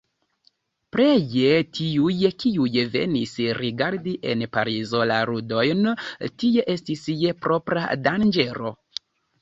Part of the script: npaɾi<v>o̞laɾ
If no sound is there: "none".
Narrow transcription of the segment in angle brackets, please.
z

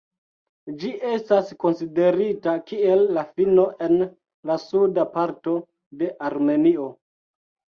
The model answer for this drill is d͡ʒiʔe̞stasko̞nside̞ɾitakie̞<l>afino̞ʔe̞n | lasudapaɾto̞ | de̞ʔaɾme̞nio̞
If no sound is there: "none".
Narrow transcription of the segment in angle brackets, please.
lː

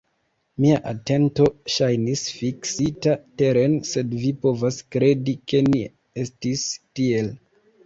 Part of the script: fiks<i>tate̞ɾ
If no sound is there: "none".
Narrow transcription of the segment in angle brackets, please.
i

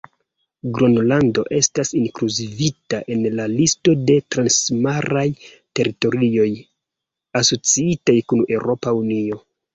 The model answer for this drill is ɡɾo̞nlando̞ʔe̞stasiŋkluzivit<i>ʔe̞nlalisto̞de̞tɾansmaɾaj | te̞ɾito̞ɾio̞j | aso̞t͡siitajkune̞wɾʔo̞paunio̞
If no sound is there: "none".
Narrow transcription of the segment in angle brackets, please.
a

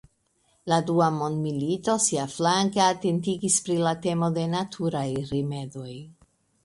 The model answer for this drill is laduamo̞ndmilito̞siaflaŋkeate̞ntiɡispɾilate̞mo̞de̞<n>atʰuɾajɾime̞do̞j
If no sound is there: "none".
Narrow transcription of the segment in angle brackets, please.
n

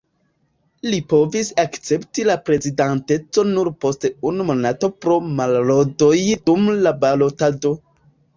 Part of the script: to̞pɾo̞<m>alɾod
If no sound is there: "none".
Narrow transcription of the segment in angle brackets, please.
m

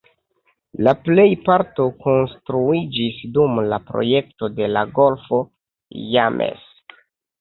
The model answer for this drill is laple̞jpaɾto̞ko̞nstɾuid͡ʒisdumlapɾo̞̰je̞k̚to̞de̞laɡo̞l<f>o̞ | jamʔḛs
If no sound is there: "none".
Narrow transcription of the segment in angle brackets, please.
f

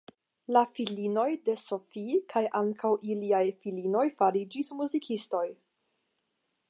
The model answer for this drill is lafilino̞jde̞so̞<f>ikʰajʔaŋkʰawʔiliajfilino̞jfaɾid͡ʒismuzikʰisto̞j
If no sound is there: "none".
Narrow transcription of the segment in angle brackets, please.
f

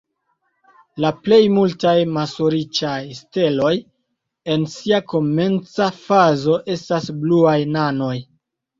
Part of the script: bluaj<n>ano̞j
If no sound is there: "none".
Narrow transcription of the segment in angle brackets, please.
n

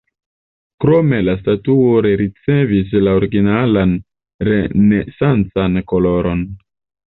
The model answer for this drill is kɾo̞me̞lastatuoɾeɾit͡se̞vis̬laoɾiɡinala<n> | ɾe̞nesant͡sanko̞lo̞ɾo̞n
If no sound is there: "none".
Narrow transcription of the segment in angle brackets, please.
n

